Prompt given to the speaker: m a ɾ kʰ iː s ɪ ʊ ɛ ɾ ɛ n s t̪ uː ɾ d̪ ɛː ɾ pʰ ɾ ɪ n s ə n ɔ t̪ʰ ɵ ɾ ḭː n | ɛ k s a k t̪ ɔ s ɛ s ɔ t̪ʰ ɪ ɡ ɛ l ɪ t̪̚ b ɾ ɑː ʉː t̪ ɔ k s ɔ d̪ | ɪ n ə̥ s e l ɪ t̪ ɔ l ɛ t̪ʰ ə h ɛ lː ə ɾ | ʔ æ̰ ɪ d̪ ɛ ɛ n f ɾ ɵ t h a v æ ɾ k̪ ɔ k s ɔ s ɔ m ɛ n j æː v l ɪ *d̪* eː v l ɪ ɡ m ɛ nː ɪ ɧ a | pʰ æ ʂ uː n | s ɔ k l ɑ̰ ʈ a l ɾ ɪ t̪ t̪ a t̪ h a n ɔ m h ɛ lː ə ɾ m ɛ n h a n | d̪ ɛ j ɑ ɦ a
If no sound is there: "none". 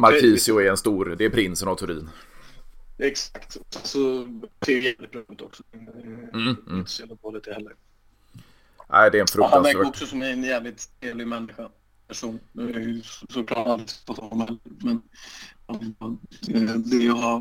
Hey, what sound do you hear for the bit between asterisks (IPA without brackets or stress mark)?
t̪